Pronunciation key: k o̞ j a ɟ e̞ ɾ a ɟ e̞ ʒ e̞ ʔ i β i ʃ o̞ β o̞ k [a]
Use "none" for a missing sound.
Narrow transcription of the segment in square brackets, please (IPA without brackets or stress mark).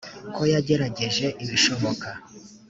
a